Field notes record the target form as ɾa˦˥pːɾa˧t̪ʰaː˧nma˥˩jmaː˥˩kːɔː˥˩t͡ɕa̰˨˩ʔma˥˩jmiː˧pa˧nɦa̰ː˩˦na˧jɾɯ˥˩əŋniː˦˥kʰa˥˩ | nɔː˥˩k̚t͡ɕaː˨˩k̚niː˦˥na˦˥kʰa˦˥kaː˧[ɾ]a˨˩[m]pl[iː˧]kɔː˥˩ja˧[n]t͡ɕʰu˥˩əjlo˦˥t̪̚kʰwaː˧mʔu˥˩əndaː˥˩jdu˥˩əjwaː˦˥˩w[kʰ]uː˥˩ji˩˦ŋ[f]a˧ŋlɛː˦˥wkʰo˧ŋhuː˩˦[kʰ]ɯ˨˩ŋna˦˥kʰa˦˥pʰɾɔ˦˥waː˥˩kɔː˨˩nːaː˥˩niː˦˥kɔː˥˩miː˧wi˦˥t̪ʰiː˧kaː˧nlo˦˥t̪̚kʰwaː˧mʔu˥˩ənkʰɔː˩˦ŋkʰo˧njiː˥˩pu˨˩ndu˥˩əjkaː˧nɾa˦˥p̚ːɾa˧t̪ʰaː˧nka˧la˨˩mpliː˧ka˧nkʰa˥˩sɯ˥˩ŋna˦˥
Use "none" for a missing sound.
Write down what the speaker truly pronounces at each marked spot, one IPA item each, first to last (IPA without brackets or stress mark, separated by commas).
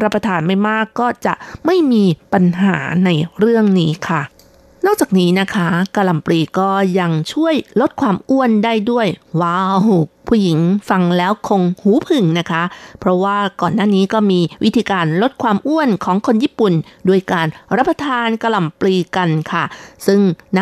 l, m, iː˧, ŋ, pʰ, f, pʰ